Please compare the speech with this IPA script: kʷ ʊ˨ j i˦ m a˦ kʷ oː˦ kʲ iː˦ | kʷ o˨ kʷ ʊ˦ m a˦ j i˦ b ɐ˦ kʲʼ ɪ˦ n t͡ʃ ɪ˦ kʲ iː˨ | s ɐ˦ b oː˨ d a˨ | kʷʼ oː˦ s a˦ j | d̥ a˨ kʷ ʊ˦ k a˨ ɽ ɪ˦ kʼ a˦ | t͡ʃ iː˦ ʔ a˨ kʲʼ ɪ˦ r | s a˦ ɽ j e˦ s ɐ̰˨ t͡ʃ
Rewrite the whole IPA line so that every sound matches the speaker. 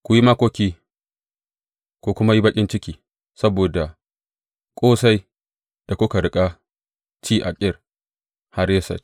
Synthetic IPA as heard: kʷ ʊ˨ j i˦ m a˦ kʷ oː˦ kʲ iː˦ | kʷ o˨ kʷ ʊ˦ m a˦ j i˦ b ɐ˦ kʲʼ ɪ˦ n t͡ʃ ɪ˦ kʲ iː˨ | s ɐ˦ b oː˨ d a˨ | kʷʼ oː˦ s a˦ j | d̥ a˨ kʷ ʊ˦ k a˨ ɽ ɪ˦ kʼ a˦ | t͡ʃ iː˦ ʔ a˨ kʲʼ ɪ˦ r | h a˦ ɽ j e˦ s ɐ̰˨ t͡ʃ